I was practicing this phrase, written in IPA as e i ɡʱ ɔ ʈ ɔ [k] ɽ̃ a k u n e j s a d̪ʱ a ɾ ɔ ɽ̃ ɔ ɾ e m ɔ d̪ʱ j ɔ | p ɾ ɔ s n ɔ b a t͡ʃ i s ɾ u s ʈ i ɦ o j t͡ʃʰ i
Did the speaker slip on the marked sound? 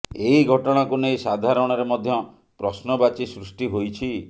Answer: yes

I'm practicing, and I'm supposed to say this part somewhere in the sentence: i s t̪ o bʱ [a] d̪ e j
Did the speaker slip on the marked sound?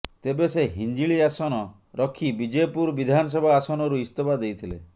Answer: no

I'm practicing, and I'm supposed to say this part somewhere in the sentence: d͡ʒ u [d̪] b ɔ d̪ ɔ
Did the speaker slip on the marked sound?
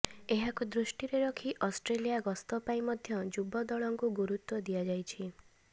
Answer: yes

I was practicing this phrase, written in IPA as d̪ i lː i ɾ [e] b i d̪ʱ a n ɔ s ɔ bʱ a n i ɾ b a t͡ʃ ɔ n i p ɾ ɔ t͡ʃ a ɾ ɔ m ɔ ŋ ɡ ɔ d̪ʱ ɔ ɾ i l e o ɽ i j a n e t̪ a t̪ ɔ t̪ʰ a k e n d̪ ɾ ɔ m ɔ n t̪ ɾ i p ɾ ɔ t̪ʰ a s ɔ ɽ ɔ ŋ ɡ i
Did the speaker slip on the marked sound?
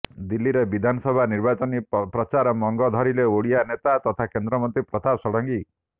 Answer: no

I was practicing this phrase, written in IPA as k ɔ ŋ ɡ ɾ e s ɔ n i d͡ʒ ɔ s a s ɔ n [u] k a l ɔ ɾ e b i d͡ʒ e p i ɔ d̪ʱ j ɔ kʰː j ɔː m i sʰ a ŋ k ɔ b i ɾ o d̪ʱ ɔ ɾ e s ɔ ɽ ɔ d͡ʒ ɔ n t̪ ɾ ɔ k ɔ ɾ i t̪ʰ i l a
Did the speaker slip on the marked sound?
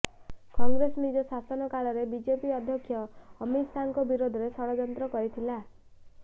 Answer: yes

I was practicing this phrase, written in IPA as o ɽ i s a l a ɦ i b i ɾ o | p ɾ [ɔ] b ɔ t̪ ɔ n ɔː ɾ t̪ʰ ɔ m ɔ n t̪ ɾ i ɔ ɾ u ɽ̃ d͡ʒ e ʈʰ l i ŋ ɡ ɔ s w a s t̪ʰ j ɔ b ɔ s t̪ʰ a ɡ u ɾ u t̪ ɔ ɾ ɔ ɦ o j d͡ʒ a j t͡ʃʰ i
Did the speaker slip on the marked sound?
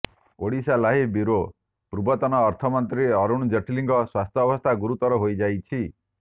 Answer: yes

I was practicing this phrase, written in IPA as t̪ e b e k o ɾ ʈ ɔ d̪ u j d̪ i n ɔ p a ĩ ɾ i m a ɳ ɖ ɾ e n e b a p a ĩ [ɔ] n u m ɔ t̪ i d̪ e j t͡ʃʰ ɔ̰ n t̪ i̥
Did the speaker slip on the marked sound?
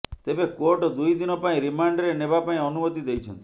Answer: no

